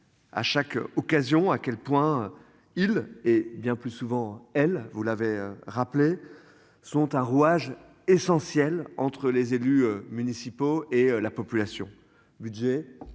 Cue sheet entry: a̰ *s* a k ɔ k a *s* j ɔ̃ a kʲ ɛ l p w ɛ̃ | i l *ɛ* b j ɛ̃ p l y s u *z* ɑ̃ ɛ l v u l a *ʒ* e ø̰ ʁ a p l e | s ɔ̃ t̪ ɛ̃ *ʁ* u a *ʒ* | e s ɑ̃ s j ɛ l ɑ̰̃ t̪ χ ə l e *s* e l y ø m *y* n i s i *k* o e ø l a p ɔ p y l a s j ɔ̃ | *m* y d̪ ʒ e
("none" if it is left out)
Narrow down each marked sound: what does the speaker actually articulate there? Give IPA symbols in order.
ʃ, z, e, v, v, ʁ, ʒ, z, y, p, b

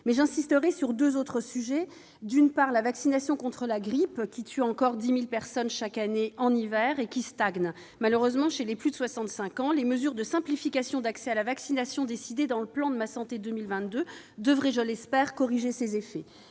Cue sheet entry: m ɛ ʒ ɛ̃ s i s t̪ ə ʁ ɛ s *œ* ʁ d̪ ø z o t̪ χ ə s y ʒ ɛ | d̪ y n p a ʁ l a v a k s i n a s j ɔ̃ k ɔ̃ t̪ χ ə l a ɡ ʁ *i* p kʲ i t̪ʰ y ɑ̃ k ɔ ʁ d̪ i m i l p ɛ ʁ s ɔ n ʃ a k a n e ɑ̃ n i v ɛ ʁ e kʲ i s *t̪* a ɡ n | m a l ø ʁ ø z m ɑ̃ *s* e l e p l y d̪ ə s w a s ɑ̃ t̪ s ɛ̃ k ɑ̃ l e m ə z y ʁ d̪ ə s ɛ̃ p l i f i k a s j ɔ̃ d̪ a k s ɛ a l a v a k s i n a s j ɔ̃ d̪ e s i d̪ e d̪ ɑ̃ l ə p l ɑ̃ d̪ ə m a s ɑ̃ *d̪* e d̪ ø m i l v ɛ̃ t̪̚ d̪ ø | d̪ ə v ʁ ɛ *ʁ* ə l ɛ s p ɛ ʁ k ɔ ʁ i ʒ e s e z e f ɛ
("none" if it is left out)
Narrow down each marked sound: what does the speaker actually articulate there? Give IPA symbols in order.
y, i, t̪, ʃ, t̪, ʒ

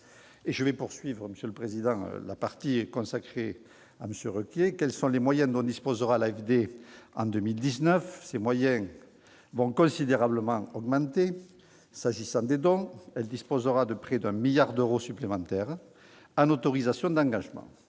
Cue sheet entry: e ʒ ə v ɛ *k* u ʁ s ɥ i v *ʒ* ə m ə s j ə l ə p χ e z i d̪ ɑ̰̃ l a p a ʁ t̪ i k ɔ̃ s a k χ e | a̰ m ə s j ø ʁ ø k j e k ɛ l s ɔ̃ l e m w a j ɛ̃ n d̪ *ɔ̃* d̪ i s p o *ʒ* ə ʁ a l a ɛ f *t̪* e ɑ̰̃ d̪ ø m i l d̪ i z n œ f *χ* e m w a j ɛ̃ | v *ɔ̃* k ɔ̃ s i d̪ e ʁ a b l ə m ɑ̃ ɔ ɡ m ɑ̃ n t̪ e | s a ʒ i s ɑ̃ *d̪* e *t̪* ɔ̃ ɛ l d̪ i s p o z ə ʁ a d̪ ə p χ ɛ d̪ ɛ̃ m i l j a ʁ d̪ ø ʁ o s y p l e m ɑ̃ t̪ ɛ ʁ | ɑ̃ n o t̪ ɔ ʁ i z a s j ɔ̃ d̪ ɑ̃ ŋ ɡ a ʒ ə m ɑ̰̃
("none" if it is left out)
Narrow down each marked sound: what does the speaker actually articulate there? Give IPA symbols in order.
p, ʁ, ɔ̃, z, d̪, s, ɔ̃, d̪, d̪

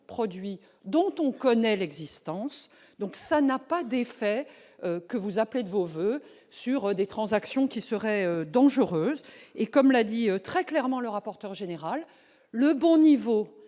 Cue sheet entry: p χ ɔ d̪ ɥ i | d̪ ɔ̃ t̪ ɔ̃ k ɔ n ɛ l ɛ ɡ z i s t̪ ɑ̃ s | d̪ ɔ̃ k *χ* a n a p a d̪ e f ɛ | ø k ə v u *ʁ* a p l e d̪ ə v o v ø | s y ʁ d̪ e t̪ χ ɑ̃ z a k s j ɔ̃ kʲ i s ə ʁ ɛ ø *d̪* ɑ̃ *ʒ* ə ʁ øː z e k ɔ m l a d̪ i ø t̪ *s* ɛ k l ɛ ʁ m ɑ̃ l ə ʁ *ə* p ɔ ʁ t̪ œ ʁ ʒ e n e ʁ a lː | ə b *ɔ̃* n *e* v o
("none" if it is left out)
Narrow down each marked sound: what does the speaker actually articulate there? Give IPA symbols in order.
s, z, d̪, ʒ, χ, a, ɔ̃, i

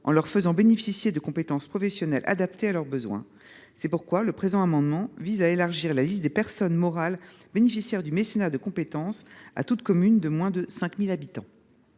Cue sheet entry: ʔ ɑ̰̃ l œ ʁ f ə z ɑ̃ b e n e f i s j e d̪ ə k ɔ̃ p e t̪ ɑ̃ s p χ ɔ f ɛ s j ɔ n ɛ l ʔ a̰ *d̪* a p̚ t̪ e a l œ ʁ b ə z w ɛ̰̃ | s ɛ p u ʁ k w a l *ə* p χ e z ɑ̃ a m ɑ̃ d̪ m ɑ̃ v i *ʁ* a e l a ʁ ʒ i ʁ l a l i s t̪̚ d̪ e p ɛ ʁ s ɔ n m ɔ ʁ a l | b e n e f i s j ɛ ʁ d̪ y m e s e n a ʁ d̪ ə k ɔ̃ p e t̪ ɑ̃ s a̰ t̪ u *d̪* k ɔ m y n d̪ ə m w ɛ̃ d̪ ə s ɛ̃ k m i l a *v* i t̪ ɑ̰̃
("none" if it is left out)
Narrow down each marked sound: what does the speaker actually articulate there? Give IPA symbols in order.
d̪, ə, z, t̪, b

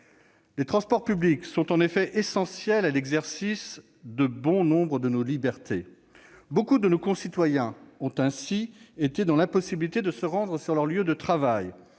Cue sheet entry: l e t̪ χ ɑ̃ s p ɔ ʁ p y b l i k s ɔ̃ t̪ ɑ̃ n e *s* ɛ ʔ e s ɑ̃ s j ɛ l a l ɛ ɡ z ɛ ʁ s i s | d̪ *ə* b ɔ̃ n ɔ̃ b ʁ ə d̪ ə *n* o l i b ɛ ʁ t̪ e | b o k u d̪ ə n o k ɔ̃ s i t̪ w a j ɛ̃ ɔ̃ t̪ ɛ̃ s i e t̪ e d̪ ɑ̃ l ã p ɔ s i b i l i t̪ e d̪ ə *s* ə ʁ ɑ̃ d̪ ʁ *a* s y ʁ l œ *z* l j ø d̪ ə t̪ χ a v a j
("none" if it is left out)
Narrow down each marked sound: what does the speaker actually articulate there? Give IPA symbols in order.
f, ə, n, s, ə, ʁ

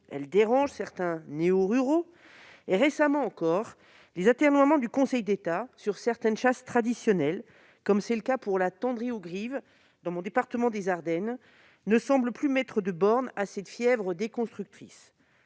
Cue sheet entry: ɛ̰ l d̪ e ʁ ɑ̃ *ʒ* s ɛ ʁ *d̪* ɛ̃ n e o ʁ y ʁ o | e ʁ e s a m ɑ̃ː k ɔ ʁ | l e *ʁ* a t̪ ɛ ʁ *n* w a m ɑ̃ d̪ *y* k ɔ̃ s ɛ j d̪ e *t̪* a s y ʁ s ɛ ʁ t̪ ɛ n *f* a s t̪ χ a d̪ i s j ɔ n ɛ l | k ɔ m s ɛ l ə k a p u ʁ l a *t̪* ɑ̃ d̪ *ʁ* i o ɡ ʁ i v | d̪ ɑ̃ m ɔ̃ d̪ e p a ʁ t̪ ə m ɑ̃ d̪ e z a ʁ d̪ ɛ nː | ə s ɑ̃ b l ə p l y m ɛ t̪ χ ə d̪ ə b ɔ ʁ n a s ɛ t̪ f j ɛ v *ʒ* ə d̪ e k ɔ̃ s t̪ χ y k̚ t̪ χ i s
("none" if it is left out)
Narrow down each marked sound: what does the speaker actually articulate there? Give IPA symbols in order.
ʒ, t̪, z, n, y, t̪, ʃ, t̪, ʁ, ʁ

